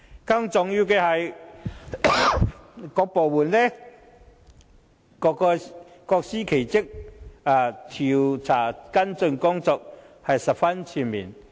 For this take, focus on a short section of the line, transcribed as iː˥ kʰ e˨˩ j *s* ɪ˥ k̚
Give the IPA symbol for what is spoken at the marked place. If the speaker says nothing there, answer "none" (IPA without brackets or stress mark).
t͡s